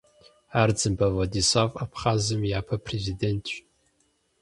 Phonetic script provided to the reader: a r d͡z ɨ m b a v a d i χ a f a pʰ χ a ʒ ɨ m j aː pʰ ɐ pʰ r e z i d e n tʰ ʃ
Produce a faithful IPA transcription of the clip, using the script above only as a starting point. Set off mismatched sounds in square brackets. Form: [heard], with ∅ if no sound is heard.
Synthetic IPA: a r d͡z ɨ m b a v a d i [s] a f a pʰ χ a [z] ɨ m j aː pʰ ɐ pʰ r e z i d e n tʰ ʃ